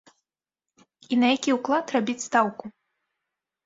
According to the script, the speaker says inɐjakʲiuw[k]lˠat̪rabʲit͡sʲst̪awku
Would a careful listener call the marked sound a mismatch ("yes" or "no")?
no